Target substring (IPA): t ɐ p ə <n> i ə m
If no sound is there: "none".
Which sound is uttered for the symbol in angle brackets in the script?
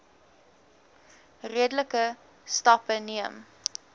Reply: n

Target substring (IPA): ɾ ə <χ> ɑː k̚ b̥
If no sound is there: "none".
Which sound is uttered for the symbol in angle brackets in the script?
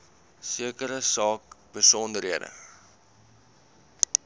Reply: s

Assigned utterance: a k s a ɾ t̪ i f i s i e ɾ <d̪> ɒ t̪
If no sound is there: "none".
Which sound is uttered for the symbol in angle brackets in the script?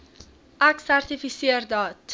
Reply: d̪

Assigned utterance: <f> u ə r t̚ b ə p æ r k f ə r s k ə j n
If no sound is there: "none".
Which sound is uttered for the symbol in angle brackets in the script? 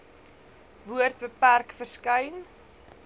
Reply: v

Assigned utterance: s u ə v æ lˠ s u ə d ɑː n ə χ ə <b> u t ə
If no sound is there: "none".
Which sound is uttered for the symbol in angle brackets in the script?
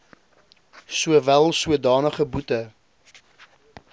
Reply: b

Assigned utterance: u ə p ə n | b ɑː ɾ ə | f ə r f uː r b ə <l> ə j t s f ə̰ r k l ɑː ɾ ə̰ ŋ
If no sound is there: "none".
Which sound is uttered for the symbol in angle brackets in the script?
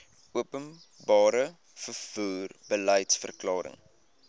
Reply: l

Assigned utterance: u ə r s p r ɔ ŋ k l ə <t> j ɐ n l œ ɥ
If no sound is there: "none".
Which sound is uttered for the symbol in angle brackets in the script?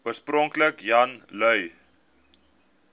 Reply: k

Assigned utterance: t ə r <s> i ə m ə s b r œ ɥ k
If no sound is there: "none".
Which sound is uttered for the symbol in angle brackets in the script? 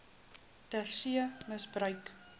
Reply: s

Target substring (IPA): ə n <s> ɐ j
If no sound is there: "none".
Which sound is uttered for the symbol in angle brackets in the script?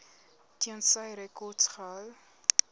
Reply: s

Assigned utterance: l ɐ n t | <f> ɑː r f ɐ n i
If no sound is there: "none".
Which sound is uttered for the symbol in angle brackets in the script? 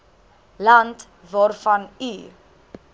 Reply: v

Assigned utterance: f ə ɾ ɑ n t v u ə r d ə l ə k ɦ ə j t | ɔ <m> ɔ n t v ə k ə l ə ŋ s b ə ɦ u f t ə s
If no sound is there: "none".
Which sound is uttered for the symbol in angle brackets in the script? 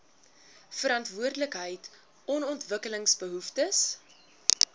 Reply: n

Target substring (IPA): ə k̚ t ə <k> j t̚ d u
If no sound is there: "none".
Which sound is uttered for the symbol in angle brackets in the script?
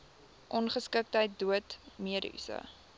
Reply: none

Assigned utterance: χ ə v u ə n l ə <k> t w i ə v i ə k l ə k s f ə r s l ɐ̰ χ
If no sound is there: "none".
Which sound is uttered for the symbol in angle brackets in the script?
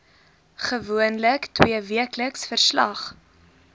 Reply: k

